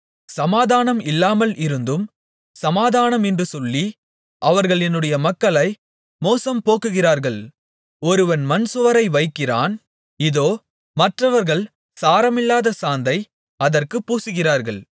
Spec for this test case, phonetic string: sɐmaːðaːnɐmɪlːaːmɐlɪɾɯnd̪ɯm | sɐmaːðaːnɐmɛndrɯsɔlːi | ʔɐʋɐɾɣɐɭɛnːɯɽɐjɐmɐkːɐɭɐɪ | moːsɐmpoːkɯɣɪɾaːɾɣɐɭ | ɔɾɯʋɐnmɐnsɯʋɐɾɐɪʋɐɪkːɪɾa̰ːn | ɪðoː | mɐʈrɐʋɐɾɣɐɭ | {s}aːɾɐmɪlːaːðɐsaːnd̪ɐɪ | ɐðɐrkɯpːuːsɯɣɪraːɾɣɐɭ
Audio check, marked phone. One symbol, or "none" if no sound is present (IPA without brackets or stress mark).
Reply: s